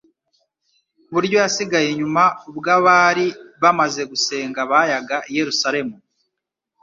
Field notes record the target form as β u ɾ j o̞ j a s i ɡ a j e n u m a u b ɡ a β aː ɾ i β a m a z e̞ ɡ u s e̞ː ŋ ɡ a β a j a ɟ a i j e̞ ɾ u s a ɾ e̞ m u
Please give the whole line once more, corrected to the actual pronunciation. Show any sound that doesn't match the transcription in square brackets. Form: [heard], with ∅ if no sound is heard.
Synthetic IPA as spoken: β u ɾ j o̞ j a s i ɡ a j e [ɲ] u m a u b ɡ a β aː ɾ i β a m a z e̞ ɡ u s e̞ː ŋ ɡ a β a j a [ɡ] a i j e̞ ɾ u s a ɾ e̞ m u